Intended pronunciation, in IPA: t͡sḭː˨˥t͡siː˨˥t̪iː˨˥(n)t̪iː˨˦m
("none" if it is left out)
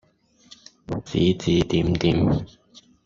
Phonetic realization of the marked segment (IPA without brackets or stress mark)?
m